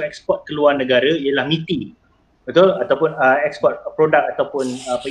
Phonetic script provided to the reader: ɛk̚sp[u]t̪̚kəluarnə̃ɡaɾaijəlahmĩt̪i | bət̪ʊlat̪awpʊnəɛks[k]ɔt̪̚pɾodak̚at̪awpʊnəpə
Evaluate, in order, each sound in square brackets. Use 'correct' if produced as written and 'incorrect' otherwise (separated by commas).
incorrect, incorrect